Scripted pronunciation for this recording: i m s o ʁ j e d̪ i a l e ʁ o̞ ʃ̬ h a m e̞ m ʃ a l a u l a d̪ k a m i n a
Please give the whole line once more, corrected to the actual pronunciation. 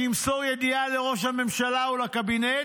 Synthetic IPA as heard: i m s o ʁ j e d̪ i a l e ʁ o̞ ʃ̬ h a m e̞ m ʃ a l a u l a k a b i n e

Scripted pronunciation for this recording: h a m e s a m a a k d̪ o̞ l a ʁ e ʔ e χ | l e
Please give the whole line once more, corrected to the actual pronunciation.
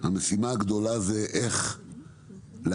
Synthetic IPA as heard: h a m e s i m a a ɡ d̪ o̞ l a z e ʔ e χ | l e

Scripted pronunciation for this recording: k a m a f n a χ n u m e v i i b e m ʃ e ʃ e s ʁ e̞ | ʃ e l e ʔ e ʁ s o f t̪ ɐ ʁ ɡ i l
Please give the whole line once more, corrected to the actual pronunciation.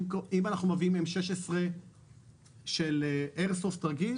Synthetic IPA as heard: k i m a n a χ n u m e v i i m e m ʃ e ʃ e s ʁ e̞ | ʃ e l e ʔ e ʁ s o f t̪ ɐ ʁ ɡ i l

